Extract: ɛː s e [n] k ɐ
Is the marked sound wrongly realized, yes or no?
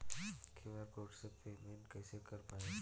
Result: yes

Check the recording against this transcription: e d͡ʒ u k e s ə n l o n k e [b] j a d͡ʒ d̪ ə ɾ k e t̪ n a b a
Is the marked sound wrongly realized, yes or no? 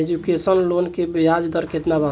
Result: no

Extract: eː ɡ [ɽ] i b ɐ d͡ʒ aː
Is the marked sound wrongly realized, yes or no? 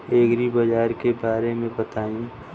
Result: yes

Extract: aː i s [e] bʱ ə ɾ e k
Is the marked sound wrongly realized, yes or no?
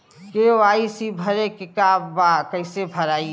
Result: yes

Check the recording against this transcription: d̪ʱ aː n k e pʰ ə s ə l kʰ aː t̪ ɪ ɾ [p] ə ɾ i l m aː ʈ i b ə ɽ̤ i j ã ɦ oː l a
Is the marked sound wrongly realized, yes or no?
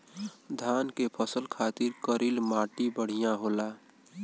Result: yes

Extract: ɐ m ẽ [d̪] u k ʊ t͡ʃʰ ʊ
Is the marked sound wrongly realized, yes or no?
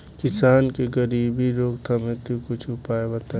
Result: yes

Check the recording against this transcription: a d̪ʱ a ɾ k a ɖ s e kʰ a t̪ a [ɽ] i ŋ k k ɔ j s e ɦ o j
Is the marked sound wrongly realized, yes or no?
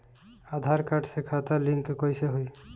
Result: yes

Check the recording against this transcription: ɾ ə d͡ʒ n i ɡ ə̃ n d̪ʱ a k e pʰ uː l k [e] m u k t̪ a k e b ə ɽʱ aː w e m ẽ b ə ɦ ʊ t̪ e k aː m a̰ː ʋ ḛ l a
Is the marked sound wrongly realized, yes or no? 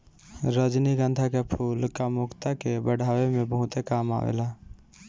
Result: yes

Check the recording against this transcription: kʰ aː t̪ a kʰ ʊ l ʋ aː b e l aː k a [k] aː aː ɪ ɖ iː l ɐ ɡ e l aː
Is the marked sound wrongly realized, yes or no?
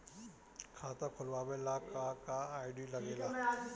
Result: no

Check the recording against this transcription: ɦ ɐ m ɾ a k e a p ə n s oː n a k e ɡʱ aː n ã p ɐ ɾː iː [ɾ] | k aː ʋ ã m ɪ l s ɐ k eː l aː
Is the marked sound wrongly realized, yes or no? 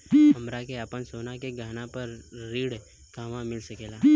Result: yes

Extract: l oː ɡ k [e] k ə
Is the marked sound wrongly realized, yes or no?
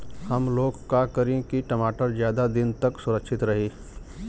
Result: yes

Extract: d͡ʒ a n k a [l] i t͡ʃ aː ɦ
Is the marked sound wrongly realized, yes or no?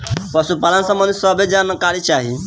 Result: yes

